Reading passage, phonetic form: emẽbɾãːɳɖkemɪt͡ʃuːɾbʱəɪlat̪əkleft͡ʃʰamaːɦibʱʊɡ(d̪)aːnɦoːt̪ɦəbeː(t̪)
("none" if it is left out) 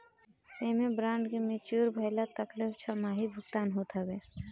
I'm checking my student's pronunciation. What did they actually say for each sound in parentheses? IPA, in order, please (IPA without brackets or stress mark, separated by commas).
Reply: t̪, none